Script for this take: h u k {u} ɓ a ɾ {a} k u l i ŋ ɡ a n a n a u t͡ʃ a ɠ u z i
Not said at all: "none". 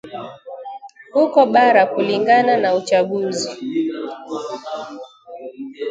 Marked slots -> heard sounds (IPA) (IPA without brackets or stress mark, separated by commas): ɔ, a